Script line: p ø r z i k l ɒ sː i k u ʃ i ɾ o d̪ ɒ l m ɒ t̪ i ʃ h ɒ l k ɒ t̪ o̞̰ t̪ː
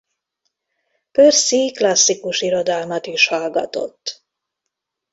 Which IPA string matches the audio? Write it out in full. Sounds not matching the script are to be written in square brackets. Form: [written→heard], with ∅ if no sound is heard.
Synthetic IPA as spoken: p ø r [z→s] i k l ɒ sː i k u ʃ i ɾ o d̪ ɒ l m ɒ t̪ i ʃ h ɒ l [k→ɡ] ɒ t̪ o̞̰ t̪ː